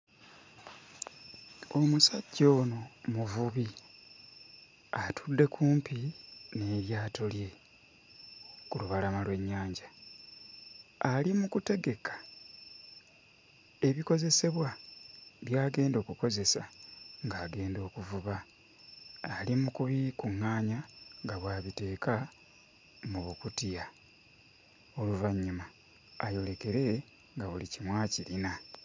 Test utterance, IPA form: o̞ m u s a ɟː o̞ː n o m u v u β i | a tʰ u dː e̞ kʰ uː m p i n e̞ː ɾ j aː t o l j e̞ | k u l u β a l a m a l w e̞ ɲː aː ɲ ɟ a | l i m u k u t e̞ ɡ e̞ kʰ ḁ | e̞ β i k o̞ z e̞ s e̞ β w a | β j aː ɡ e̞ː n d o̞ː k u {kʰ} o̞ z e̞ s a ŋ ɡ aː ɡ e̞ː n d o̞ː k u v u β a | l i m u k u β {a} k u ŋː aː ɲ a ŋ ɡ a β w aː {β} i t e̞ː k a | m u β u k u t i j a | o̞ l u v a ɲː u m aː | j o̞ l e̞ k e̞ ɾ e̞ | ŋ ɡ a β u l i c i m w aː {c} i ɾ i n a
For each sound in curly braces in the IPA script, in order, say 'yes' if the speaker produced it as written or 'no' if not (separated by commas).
no, no, yes, yes